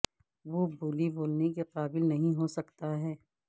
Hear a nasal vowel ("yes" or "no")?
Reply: yes